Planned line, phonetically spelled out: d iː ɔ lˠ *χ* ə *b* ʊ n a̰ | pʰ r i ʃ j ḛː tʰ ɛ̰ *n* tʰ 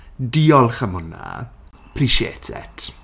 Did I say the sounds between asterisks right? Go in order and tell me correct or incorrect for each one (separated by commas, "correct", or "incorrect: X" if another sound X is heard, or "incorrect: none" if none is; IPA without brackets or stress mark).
correct, incorrect: m, incorrect: none